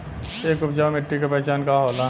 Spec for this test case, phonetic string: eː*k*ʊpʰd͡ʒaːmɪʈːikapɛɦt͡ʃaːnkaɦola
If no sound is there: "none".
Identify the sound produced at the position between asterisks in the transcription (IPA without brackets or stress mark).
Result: k